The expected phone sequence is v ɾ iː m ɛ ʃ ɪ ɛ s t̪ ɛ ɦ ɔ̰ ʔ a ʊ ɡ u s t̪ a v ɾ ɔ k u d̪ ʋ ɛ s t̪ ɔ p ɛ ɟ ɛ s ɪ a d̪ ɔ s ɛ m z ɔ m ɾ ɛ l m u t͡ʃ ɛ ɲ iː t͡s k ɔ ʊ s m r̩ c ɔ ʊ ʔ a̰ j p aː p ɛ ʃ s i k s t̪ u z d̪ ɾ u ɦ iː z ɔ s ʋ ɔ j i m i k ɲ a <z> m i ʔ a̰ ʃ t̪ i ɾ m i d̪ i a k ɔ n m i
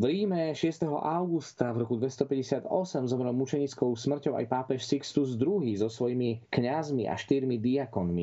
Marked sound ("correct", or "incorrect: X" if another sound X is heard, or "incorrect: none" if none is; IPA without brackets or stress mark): correct